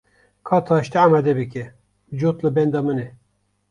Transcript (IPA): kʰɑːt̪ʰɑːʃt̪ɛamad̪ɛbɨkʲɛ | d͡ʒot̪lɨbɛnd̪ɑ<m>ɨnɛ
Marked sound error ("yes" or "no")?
no